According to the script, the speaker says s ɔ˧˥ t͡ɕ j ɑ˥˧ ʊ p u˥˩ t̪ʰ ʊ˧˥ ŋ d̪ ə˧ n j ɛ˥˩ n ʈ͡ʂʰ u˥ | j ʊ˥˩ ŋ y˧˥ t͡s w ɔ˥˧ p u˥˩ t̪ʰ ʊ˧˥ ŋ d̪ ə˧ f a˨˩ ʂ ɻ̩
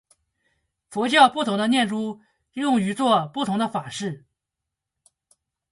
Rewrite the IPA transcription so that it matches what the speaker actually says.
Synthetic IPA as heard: f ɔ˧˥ t͡ɕ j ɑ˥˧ ʊ p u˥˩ t̪ʰ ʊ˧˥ ŋ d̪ ə˧ n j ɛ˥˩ n ʈ͡ʂ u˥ | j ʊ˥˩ ŋ y˧˥ t͡s w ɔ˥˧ p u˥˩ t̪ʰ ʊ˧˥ ŋ d̪ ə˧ f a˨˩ ʂ ɻ̩